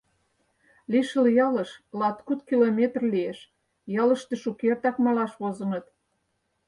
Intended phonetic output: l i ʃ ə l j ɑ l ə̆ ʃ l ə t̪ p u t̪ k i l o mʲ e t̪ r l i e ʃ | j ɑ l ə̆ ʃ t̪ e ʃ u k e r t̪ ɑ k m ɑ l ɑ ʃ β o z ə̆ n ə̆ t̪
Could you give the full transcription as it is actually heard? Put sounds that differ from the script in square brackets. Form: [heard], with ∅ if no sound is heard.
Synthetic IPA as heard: l i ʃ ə l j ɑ l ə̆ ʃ l [ɑ] t̪ [k] u t̪ k i l o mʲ e t̪ r l i e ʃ | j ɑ l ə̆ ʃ t̪ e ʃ u k e r t̪ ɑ k m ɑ l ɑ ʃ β o z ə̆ n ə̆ t̪